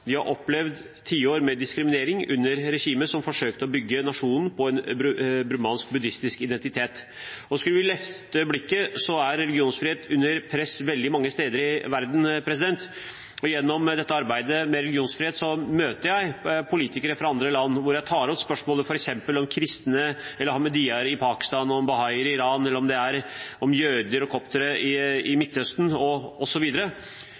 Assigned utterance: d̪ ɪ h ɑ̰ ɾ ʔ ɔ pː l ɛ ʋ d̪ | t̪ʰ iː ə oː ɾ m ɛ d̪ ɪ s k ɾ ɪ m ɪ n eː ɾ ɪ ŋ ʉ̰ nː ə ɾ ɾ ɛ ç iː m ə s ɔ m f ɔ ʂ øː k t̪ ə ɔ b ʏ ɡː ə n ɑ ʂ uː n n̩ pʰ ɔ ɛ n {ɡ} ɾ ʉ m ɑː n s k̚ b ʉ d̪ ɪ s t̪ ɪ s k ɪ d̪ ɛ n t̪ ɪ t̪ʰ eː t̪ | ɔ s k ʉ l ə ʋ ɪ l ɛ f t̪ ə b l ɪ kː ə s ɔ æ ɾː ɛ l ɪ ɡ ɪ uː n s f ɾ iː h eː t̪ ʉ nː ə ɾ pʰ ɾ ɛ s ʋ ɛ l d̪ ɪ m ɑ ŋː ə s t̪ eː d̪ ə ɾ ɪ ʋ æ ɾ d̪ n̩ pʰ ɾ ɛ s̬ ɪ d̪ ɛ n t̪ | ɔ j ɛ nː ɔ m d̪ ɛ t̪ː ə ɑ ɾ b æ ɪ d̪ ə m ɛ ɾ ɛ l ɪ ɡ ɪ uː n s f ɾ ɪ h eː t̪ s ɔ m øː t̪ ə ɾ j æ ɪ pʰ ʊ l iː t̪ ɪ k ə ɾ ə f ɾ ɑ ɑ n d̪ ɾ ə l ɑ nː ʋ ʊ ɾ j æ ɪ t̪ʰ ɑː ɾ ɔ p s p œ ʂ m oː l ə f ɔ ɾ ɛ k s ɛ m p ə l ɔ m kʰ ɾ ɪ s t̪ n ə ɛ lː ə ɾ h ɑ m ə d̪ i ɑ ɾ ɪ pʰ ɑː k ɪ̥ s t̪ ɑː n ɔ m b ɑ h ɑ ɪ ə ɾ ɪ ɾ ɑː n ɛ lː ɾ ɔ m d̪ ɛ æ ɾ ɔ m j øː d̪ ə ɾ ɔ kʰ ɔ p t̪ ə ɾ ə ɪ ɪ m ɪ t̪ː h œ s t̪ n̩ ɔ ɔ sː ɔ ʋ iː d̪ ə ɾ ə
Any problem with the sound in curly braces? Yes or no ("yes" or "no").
yes